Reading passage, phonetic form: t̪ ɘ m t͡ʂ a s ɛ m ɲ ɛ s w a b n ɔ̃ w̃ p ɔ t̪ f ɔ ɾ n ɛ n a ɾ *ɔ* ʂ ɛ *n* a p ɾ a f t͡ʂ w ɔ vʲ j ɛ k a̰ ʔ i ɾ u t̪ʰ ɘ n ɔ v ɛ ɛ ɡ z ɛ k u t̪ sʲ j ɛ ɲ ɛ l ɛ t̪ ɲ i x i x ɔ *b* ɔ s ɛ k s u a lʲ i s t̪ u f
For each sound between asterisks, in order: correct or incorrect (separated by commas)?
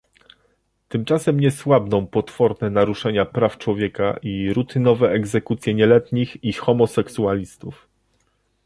incorrect, incorrect, incorrect